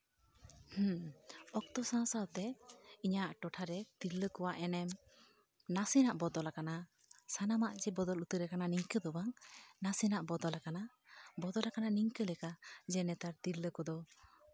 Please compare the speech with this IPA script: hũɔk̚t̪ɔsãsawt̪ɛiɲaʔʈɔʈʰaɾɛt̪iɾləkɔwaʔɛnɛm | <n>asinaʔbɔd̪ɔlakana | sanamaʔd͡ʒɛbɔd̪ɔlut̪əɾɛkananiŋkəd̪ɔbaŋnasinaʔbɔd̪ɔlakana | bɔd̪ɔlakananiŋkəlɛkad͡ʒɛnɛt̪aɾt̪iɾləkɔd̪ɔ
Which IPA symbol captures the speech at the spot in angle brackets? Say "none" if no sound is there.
n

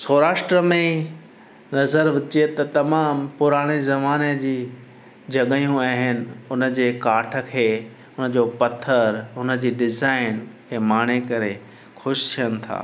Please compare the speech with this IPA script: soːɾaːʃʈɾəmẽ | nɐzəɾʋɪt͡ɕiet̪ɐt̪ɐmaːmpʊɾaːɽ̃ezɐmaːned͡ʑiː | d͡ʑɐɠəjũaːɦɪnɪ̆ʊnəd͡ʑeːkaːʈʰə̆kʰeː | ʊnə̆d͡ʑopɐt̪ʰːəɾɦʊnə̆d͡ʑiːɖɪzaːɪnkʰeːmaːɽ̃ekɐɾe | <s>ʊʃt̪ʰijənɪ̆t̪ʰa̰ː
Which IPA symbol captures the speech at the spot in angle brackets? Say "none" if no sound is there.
x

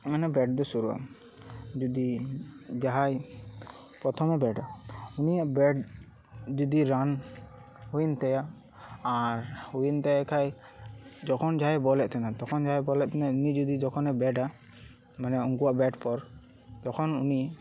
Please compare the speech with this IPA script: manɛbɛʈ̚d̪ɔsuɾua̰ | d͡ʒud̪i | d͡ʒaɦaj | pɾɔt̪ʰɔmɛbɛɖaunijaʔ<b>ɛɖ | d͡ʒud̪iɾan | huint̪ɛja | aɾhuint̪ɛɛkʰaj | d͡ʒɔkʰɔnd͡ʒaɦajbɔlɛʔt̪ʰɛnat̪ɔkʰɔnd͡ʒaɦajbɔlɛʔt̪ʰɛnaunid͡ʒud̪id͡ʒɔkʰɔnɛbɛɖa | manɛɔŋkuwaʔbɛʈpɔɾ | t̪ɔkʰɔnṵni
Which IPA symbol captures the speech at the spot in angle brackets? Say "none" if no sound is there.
b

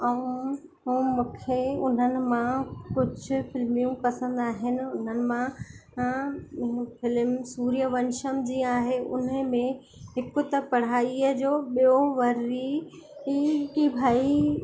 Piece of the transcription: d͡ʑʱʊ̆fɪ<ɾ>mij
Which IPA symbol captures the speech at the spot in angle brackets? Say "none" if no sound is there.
l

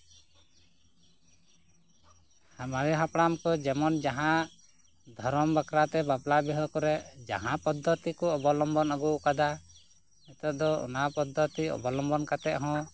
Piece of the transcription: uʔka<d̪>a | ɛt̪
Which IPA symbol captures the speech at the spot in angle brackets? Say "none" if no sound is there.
d̪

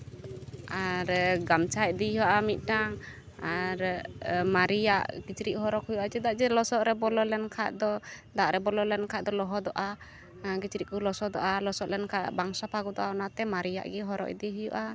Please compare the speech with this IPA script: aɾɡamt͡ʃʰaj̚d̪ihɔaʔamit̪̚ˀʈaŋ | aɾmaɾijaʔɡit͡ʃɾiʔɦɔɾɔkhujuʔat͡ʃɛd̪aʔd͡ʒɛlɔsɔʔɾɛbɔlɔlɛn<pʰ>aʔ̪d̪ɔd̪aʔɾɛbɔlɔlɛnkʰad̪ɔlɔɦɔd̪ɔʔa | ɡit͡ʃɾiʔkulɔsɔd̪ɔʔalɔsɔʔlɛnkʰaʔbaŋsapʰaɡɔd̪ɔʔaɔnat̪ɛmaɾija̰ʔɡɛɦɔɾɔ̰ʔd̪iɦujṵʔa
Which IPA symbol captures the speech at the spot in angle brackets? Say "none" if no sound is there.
kʰ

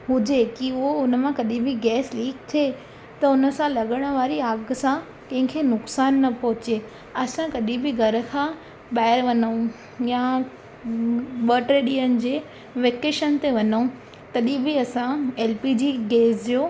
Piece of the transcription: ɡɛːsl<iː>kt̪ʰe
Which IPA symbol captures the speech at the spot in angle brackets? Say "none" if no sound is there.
iː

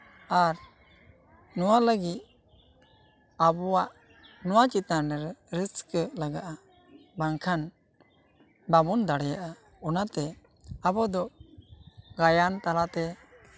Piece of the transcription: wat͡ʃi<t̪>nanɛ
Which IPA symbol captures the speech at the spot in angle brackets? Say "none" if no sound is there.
t̪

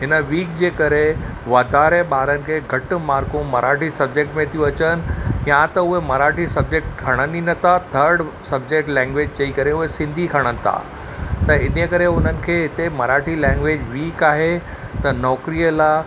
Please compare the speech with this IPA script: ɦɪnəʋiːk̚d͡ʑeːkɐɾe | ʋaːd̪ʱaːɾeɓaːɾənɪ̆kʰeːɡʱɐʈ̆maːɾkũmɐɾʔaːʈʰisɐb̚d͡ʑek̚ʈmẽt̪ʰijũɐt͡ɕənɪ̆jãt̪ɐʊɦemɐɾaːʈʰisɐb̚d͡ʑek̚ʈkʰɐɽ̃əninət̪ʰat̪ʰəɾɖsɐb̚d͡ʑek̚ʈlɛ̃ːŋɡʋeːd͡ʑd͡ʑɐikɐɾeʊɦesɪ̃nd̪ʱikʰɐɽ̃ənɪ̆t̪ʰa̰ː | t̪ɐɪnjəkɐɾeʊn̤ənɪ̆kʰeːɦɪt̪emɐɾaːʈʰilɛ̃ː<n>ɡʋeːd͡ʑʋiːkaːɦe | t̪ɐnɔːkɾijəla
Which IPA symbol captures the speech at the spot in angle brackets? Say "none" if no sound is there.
ŋ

